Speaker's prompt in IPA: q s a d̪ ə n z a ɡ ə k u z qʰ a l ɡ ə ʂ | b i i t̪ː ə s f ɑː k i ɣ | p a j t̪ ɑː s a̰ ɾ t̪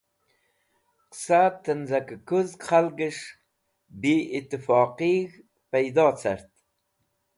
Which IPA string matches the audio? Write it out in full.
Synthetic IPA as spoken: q s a t̪ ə n z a k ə k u z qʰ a l ɡ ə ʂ | b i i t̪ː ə f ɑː q i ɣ | p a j d̪ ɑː t͡s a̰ ɾ t̪